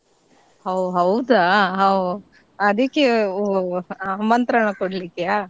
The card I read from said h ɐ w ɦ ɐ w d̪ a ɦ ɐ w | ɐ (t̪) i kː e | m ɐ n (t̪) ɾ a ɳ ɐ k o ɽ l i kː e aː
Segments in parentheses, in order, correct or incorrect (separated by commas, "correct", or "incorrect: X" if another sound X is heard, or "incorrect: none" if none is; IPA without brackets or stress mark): incorrect: d̪, correct